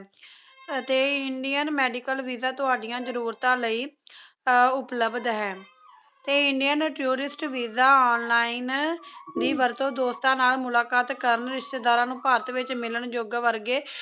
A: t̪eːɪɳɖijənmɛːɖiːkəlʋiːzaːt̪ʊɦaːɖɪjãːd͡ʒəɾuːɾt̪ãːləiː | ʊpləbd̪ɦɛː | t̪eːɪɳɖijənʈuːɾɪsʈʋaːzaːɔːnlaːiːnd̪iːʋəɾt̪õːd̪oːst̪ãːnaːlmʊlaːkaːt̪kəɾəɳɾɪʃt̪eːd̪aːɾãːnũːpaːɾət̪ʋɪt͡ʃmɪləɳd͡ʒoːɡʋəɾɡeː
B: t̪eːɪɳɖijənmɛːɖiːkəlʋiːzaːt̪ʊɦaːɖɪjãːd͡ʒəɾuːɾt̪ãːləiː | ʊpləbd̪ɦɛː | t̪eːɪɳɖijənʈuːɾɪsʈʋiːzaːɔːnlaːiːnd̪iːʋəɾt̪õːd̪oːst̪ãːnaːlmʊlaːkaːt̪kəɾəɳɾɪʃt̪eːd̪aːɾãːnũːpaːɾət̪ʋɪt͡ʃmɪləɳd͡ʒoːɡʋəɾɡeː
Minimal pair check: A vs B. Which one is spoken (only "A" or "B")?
B